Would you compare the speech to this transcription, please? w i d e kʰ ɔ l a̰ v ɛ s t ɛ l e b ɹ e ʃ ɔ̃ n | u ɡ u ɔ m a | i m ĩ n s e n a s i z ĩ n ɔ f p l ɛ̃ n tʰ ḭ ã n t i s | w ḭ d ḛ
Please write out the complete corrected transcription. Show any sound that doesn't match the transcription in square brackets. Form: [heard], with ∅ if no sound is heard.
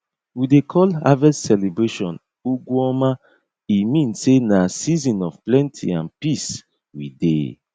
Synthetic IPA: w i d e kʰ ɔ l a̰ v ɛ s [s] ɛ l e b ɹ e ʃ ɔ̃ n | u ɡ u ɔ m a | i m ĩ n s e n a s i z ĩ n ɔ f p l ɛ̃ n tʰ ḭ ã n [p] i s | w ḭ d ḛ

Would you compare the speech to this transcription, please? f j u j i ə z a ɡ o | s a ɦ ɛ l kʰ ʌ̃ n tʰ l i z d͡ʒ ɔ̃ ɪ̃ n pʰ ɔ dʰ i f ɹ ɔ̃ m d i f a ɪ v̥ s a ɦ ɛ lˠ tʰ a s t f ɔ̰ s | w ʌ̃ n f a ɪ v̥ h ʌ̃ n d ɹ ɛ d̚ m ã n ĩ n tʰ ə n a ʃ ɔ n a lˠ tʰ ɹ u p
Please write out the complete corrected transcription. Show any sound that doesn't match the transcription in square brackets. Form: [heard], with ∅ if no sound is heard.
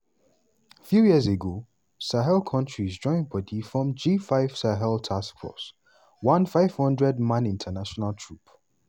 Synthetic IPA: f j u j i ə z [e] ɡ o | s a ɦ ɛ l kʰ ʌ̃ n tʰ [ɹ] i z d͡ʒ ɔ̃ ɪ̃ n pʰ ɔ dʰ i f ɹ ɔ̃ m [d͡ʒ] i f a ɪ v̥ s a ɦ ɛ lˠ tʰ a s [k] f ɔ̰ s | w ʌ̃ n f a ɪ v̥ h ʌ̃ n d ɹ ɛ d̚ m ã n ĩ n tʰ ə n a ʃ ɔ n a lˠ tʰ ɹ u p

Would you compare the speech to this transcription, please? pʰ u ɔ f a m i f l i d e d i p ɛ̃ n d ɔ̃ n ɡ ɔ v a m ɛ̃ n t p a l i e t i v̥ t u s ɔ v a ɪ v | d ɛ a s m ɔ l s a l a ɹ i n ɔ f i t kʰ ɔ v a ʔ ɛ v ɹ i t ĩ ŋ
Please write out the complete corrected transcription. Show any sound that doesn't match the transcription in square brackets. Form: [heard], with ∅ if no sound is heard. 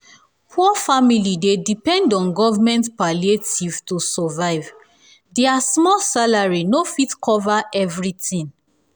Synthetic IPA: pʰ u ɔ f a m i [∅] l i d e d i p ɛ̃ n d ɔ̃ n ɡ ɔ v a m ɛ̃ n t p a l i e t i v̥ t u s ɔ v a ɪ v | d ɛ a s m ɔ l s a l a ɹ i n [o] f i t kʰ ɔ v a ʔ ɛ v ɹ i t ĩ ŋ

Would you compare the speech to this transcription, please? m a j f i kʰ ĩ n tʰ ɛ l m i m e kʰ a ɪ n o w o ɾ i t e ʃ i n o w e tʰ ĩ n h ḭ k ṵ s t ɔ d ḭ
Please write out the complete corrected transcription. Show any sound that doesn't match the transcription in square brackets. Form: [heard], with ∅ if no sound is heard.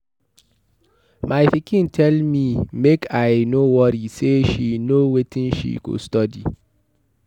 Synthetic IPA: m a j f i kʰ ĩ n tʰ ɛ l m i m e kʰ a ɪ n o w [ɔ] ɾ i [s] e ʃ i n o w e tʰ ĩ n [ʃ] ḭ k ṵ s t ɔ d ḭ

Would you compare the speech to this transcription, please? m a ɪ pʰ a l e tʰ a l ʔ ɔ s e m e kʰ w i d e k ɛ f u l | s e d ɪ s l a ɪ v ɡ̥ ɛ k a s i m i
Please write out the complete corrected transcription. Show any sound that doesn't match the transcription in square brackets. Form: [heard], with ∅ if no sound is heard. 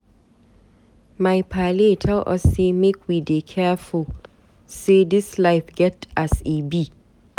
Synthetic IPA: m a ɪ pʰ a l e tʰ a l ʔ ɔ s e m e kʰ w i d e [kʰ] ɛ f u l | s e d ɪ s l a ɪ [f] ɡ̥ ɛ [t] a s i [b] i

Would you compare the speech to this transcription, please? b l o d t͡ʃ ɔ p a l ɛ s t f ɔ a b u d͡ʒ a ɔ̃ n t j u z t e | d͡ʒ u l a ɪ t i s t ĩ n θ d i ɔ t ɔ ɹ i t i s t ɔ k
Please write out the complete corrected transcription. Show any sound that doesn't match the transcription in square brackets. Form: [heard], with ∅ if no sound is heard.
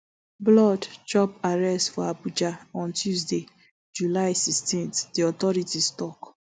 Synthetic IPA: b l [ɔ] d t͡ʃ ɔ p a [ɹ] ɛ s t f ɔ a b u d͡ʒ a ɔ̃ n t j u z [d] e | d͡ʒ u l a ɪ [s] i s t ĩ n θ d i ɔ t ɔ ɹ i t i s t ɔ k

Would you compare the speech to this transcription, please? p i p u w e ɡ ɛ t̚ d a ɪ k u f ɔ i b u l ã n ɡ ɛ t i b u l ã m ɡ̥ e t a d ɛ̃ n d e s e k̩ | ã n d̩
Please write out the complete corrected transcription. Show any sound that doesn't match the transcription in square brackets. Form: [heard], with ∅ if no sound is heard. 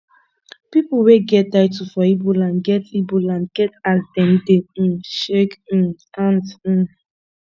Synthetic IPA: p i p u w e ɡ ɛ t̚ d a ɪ [t] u f ɔ i b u l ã n ɡ ɛ t i b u l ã [n] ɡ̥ [ɛ] t a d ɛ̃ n d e [ʃ] e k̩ | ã n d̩

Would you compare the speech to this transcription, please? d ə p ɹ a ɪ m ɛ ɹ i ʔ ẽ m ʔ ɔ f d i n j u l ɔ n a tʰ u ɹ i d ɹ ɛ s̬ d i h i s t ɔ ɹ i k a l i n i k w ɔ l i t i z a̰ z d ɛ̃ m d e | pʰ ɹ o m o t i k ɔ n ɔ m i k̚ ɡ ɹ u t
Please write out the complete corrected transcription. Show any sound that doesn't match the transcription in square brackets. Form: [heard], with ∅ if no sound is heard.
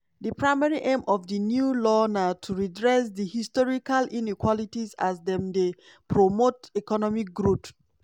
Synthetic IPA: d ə p ɹ a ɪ m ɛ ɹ i ʔ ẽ m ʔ ɔ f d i n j u l ɔ n a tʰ u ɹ i d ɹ ɛ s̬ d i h i s t ɔ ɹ i k a l i n i k w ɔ l i t i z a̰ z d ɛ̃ m d e | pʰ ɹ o m o t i k ɔ n ɔ m i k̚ ɡ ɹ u t

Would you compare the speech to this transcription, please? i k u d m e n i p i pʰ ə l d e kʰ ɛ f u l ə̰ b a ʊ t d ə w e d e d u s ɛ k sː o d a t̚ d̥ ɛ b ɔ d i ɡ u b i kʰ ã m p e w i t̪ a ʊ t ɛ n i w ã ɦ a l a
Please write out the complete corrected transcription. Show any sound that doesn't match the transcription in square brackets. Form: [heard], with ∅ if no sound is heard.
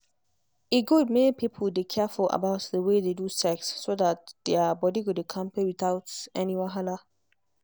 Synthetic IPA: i [ɡ] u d m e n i p i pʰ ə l d e kʰ ɛ f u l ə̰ b a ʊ t d ə w e d e d u s ɛ k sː o d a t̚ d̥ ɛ b ɔ d i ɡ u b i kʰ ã m p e w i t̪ a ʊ t ɛ n i w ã ɦ a l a

